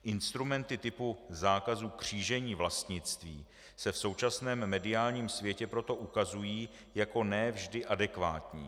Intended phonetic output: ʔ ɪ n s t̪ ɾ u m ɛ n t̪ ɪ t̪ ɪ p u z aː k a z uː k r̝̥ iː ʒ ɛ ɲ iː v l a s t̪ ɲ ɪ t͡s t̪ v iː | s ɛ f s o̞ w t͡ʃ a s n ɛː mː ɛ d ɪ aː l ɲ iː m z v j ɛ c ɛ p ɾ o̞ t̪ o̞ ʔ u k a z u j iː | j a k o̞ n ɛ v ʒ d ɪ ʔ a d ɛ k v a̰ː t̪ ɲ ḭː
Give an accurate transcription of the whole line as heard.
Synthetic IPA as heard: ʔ ɪ n s t̪ ɾ u m ɛ n t̪ ɪ t̪ ɪ p u z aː k a z uː k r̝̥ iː ʒ ɛ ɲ iː v l a s t̪ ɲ ɪ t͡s t̪ v iː | s ɛ f s o̞ w t͡ʃ a s n ɛː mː ɛ d ɪ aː l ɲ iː m s v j ɛ c ɛ p ɾ o̞ t̪ o̞ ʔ u k a z u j iː | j a k o̞ n ɛ v ʒ d ɪ ʔ a d ɛ k v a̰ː t̪ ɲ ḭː